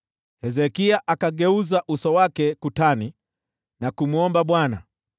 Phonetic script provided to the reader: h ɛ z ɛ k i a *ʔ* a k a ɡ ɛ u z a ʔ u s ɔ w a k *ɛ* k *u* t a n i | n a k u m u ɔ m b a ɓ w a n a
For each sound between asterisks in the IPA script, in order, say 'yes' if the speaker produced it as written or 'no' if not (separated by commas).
yes, yes, yes